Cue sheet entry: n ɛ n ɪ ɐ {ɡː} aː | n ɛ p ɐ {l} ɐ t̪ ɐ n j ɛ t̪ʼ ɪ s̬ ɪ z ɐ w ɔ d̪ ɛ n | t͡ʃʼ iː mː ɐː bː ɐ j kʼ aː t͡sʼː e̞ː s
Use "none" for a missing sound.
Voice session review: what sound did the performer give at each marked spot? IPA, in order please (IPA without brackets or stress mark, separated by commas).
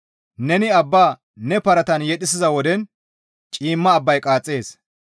bː, ɾ